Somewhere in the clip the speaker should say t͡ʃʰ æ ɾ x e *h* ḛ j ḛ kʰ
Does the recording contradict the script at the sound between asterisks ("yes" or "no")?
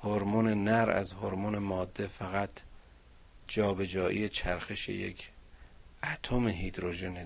yes